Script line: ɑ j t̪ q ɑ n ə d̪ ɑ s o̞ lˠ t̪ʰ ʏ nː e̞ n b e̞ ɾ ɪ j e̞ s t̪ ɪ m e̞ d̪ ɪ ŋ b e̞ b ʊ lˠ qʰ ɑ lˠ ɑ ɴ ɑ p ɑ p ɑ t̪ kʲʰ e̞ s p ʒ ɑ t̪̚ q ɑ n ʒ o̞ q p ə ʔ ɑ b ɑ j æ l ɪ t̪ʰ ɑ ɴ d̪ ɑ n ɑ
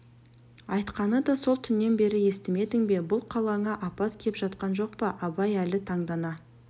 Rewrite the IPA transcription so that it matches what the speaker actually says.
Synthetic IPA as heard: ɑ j t̪ q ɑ n ə d̪ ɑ s o̞ lˠ t̪ʰ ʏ nː e̞ n b e̞ ɾ ɪ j e̞ s t̪ ɪ m e̞ d̪ ɪ ŋ b e̞ b ʊ lˠ qʰ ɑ lˠ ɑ ɴ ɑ ʔ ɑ p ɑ t̪ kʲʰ e̞ p ʒ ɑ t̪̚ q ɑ n ʒ o̞ q p ɑ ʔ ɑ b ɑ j æ l ɪ t̪ʰ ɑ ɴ d̪ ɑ n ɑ